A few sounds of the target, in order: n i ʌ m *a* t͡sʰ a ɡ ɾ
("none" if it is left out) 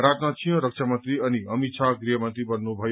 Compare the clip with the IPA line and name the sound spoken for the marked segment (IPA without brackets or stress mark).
i